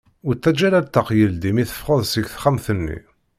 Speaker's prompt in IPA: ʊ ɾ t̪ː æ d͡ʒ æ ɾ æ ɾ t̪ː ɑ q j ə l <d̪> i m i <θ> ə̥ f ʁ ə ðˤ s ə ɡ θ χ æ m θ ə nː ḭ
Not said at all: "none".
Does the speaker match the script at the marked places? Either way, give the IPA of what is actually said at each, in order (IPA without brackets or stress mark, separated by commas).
d̪, θ